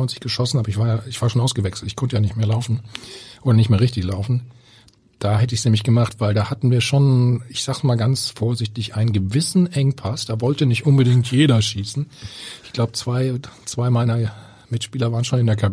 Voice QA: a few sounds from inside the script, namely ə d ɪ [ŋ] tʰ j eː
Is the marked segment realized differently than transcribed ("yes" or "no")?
no